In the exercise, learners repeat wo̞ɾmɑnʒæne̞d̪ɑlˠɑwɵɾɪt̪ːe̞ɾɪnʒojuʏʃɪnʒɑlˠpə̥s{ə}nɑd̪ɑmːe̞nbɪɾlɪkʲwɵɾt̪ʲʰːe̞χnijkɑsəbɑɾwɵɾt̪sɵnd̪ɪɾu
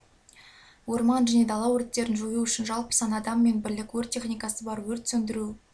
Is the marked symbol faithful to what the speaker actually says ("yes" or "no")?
no